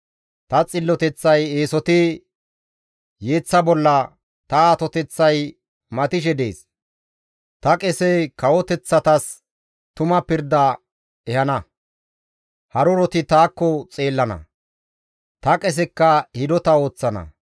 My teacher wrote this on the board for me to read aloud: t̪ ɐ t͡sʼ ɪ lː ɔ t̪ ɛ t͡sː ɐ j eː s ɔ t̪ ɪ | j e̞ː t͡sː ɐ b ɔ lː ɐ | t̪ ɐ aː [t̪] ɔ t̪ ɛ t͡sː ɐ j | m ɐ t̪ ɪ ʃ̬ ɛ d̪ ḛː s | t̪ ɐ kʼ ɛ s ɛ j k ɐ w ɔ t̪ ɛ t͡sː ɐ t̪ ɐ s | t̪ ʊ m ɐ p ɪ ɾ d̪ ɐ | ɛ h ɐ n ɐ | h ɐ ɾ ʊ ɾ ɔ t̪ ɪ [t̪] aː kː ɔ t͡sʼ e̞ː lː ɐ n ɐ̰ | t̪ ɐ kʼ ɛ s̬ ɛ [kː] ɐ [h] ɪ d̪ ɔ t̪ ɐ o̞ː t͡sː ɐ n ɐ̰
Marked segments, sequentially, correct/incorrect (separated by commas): correct, correct, correct, correct